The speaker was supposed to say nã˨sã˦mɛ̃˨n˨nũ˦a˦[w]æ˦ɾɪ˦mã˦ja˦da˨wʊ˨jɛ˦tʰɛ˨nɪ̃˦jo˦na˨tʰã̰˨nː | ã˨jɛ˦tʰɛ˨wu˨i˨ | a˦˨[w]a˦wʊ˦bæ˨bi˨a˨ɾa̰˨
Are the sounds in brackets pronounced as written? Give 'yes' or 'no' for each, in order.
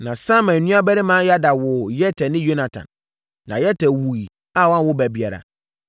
no, yes

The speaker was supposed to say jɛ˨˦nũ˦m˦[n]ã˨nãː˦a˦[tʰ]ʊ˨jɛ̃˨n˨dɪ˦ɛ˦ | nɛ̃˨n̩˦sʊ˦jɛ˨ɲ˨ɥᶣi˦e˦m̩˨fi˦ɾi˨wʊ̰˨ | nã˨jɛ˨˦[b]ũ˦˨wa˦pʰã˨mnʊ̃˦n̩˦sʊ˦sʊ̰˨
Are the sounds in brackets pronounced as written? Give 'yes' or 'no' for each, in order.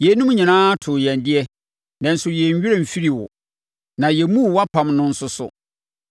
no, yes, no

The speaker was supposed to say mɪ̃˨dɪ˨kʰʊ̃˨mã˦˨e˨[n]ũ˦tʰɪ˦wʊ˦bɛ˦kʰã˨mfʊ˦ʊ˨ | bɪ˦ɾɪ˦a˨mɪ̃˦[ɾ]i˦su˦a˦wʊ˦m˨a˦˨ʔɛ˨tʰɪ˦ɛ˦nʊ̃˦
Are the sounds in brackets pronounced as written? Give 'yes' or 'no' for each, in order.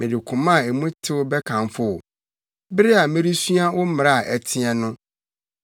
no, yes

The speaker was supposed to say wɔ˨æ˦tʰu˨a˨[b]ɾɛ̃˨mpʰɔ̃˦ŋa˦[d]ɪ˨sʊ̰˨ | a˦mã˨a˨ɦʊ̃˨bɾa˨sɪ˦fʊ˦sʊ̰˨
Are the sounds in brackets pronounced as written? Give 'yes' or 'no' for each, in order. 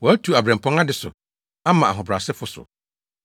yes, yes

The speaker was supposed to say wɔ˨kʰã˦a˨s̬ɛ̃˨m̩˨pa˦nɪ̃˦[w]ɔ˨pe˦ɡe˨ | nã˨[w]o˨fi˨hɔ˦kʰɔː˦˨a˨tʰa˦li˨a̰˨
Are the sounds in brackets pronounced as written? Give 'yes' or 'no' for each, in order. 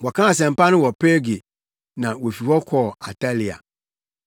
yes, yes

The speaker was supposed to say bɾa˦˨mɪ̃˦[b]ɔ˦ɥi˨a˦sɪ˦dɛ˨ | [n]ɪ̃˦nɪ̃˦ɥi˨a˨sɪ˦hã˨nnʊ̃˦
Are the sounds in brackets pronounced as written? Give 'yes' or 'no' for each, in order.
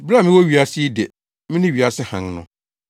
no, no

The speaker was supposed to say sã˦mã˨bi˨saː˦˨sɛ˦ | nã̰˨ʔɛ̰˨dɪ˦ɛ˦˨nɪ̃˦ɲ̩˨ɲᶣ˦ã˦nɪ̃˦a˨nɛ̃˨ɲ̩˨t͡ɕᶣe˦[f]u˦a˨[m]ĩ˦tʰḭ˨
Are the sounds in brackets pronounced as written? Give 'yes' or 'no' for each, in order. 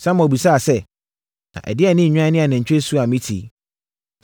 no, yes

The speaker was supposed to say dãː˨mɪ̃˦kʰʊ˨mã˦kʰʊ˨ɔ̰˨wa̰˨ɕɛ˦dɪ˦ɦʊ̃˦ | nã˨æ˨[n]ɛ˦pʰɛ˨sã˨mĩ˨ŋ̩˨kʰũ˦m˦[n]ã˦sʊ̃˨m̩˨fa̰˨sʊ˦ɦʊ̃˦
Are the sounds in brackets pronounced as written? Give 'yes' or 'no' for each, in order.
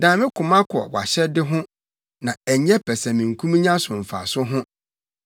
no, no

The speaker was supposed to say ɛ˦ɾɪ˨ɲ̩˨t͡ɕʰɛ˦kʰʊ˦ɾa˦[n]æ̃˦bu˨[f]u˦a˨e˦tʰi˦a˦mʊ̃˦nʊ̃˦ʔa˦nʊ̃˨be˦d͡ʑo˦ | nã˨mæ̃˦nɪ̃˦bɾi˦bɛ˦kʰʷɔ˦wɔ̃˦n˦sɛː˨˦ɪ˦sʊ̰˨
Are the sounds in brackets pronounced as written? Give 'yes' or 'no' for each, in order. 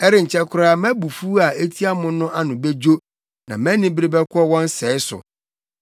no, yes

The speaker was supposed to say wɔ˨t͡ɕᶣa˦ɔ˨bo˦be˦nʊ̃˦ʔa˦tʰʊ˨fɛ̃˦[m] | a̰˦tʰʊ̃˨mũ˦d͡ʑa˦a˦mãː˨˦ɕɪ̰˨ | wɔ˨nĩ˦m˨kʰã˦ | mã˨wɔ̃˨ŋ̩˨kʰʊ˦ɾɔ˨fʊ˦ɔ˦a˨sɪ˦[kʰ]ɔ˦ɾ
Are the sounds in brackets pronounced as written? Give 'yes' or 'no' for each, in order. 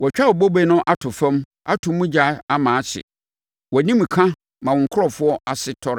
yes, no

